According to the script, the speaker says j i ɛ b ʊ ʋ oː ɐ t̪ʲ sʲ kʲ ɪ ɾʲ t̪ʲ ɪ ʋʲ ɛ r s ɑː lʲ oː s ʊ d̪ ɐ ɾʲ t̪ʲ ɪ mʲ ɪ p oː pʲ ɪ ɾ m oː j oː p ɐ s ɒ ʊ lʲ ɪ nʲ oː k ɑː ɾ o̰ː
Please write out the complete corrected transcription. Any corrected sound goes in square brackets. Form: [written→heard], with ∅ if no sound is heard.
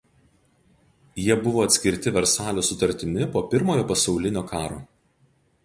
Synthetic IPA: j i ɛ b ʊ ʋ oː ɐ t̪ʲ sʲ kʲ ɪ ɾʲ t̪ʲ ɪ ʋʲ ɛ [r→ɾ] s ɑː lʲ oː s ʊ [d̪→t̪] ɐ ɾʲ t̪ʲ ɪ mʲ ɪ p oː pʲ ɪ ɾ m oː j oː p ɐ s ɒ ʊ lʲ ɪ nʲ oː k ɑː ɾ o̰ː